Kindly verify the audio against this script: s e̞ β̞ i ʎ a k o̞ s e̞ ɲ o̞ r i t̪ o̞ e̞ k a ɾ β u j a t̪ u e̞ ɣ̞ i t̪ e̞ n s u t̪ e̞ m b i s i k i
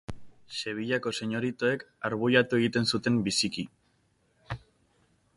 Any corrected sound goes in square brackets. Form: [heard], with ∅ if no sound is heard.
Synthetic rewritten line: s e̞ β̞ i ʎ a k o̞ s e̞ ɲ o̞ [ɾ] i t̪ o̞ e̞ k a ɾ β u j a t̪ u e̞ ɣ̞ i t̪ e̞ n s u t̪ e̞ m b i s i k i